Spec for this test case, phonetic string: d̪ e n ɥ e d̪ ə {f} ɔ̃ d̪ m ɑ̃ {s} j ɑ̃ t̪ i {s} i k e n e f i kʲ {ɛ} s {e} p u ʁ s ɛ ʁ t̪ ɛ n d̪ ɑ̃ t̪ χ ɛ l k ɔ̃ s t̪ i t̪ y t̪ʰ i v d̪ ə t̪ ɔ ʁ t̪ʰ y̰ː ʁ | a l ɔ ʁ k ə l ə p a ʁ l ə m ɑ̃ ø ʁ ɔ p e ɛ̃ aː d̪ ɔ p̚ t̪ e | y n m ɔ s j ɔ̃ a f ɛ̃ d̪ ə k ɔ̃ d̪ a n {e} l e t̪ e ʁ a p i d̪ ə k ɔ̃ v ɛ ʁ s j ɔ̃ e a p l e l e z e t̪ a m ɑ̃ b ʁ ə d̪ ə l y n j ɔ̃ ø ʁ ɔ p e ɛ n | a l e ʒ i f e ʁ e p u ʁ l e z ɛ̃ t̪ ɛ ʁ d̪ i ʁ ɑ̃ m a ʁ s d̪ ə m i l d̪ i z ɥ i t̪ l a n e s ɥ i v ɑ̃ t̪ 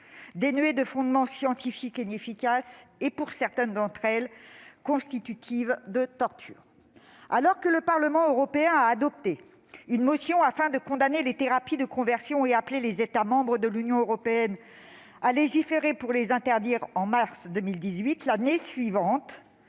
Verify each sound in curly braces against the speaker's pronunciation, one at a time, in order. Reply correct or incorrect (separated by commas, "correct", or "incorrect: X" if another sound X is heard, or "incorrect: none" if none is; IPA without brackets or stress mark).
correct, correct, incorrect: f, incorrect: a, correct, correct